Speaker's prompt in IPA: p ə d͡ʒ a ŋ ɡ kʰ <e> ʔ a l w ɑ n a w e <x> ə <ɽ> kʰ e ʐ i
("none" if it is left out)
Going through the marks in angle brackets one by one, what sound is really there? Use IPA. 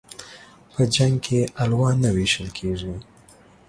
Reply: e, ʃ, l

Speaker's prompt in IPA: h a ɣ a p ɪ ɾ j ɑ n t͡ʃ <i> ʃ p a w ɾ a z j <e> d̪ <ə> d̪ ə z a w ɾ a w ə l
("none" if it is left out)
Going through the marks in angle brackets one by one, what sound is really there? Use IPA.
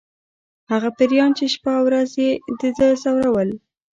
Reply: e, e, ə

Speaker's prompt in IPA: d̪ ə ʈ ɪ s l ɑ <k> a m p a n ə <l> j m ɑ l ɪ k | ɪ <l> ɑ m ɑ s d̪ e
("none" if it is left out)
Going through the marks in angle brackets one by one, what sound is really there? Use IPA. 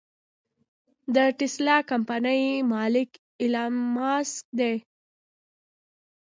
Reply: k, none, l

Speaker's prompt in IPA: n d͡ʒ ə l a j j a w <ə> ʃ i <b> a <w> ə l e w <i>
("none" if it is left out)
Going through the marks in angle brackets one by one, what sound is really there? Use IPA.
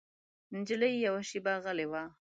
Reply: a, b, ɣ, a

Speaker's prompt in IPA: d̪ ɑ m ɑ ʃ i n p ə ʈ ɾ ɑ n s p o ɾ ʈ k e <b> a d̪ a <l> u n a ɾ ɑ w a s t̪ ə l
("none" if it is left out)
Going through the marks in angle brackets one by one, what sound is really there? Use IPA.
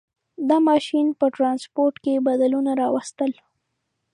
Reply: b, l

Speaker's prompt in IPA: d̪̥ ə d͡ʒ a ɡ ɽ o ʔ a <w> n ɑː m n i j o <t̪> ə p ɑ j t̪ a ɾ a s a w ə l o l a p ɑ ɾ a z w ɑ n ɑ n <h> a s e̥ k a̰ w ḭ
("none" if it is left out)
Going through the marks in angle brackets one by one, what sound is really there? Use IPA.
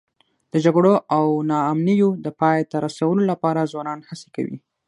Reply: w, d̪, h

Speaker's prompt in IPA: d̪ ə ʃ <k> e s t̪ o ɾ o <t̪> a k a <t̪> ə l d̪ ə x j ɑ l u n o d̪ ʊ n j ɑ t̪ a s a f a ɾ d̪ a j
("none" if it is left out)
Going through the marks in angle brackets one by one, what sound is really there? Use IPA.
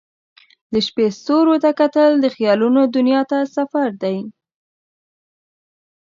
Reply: p, t̪, t̪

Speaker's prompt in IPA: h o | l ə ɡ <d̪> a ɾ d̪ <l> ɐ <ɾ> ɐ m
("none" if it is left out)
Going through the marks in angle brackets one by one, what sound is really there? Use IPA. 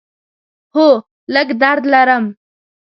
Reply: d̪, l, ɾ

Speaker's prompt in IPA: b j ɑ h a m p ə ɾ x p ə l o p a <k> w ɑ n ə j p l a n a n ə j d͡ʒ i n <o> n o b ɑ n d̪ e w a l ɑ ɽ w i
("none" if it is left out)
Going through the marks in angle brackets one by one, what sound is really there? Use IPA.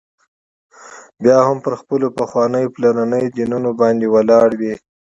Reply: x, u

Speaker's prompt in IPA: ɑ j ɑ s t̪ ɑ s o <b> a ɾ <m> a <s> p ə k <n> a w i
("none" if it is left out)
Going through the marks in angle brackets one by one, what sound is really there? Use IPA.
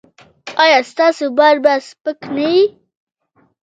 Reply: b, b, s, n

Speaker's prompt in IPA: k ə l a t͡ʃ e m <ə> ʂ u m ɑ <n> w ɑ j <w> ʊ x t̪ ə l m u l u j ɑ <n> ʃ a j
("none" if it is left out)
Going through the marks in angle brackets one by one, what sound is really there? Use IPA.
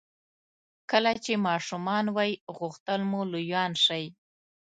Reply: ɑ, n, ɣ, n

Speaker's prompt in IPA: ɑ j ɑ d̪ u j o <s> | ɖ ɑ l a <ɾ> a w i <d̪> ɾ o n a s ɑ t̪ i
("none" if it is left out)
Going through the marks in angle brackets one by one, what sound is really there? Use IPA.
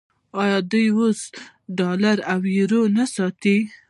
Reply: s, ɾ, none

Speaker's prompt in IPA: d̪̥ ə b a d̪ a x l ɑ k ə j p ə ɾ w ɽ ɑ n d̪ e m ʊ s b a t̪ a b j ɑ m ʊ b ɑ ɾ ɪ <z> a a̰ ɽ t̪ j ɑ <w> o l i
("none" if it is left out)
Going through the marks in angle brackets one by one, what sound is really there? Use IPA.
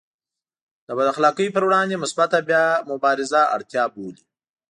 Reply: z, b

